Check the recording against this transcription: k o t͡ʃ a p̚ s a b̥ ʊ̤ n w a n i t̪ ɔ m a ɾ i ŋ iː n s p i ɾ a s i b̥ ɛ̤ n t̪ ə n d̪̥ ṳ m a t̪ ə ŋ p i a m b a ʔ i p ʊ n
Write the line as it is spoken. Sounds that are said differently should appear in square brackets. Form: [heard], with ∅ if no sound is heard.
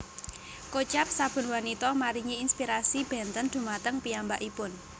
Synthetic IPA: k o t͡ʃ a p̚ s a b̥ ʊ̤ n w a n i t̪ ɔ m a ɾ i ŋ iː n s p i ɾ a s i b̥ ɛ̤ n t̪ ə n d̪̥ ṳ m a t̪ ə ŋ p i a m b a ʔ i p ʊ n

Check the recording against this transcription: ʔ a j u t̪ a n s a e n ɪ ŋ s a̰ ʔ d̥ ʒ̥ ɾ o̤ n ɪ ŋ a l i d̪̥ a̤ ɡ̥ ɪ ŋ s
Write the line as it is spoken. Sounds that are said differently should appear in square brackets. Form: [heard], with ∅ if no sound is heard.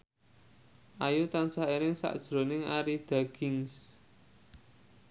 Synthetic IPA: ʔ a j u t̪ a n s a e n ɪ ŋ s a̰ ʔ d̥ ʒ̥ ɾ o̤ n ɪ ŋ a [ɾ] i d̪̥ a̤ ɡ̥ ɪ ŋ s

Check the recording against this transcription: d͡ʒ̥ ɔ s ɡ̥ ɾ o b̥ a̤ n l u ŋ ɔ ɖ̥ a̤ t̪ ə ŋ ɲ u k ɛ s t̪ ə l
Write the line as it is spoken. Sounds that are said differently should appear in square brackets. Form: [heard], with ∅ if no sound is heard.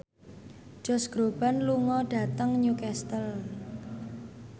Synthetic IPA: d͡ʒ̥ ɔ s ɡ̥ ɾ o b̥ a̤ n l u ŋ ɔ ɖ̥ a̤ t̪ ə ŋ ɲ u k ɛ s t̪ ə l

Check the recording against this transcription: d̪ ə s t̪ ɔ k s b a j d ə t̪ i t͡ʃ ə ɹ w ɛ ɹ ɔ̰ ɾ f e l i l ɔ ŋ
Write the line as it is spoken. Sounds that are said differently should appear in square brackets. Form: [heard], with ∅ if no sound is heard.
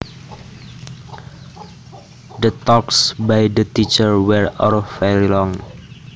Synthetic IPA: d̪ ə [∅] t̪ ɔ k s b a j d ə t̪ i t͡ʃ ə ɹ w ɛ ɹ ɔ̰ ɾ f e l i l ɔ ŋ

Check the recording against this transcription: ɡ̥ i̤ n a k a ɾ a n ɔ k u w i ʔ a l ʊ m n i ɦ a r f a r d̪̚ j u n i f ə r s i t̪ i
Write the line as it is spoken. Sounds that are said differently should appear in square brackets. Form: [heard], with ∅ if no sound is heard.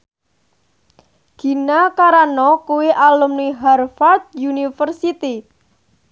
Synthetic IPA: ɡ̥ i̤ n a k a ɾ a n ɔ k u w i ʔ a l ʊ m n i ɦ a r f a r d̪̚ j u n i f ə r s i t̪ i

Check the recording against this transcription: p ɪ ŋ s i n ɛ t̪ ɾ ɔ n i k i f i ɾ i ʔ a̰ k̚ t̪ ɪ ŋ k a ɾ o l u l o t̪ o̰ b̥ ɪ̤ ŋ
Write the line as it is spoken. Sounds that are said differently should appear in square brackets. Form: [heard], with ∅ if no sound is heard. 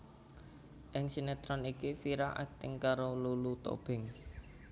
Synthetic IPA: [ʔ] ɪ ŋ s i n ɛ t̪ ɾ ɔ n i k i f i ɾ [a] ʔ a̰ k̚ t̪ ɪ ŋ k a ɾ o l u l [u] t̪ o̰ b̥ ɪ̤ ŋ

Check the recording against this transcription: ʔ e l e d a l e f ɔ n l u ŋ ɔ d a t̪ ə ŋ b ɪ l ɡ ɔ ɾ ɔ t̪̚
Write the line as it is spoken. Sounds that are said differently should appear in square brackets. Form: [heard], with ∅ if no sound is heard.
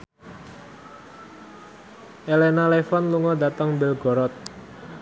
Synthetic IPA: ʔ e l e [n] a l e f ɔ n l u ŋ ɔ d a t̪ ə ŋ b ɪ l ɡ ɔ ɾ ɔ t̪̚

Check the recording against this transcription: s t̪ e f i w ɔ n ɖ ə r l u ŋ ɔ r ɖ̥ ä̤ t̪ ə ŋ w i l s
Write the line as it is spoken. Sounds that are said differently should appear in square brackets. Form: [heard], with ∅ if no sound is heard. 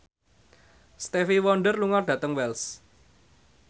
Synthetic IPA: s t̪ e f i w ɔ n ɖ ə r l u ŋ ɔ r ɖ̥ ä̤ t̪ ə ŋ w [ɛ] l s

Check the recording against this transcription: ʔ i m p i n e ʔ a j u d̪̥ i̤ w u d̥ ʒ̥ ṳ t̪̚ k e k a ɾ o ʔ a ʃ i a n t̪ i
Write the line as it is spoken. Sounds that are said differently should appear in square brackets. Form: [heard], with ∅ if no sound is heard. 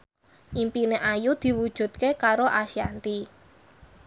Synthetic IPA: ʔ i m p i n e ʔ a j u d̪̥ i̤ w u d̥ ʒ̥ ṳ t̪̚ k e k a ɾ o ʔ a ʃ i a n t̪ i

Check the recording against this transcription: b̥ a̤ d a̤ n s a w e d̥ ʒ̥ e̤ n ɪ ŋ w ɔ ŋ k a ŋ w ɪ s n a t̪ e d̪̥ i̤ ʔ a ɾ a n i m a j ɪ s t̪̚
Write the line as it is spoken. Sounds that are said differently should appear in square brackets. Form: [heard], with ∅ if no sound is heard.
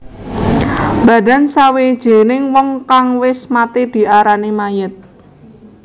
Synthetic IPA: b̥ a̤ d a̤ n s a w e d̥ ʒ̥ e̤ n ɪ ŋ w ɔ ŋ k a ŋ w ɪ s [m] a t̪ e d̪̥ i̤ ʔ a ɾ a n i m a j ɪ [∅] t̪̚

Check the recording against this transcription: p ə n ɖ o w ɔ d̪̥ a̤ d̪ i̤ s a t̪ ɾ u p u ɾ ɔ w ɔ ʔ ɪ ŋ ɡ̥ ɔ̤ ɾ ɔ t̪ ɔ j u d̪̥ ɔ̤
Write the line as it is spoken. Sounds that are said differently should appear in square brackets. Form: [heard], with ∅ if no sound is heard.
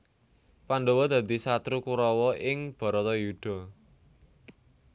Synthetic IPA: p [a] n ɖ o w ɔ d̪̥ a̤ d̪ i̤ s a t̪ ɾ u [k] u ɾ ɔ w ɔ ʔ ɪ ŋ [b̥] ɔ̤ ɾ ɔ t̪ ɔ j u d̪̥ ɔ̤

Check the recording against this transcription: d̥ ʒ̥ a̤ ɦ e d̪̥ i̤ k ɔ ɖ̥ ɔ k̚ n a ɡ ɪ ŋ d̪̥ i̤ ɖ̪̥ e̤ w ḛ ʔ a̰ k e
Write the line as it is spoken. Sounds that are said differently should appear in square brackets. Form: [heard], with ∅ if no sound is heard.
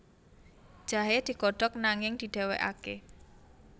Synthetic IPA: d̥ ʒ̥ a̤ ɦ e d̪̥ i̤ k ɔ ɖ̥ ɔ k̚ n a [ŋ] ɪ ŋ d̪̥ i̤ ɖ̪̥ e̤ w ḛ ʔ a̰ k e

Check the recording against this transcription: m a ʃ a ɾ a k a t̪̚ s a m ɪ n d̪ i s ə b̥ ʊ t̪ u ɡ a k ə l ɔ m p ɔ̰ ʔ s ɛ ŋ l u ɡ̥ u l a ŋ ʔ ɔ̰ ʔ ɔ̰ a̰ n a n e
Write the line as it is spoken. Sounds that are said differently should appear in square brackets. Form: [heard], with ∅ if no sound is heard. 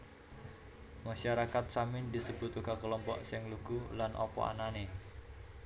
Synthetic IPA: m a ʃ a ɾ a k a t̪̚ s a m ɪ n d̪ i s ə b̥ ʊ t̪ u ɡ a k ə l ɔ m p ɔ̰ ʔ s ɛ ŋ l u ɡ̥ u l a [n] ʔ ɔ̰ [p] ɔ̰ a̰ n a n e

